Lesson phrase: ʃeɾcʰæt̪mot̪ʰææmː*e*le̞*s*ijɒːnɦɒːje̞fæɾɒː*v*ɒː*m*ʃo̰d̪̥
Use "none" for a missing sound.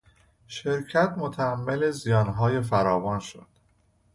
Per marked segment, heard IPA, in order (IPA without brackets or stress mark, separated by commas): e, z, v, n